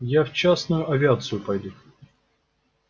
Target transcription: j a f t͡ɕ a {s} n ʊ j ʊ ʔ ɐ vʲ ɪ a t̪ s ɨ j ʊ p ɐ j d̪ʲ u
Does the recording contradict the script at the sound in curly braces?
no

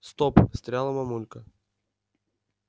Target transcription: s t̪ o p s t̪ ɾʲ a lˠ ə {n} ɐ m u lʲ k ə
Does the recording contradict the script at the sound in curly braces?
yes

